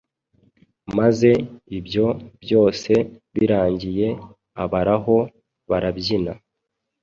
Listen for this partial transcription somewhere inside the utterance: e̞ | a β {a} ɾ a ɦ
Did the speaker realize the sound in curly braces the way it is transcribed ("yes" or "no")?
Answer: yes